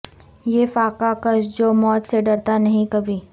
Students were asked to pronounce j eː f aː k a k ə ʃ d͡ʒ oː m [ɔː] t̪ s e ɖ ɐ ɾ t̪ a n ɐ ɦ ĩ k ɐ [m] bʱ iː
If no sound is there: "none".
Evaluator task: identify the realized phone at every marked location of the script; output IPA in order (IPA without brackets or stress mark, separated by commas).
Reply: ɔː, none